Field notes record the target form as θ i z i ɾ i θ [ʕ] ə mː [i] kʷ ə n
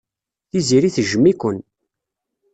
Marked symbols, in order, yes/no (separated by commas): no, yes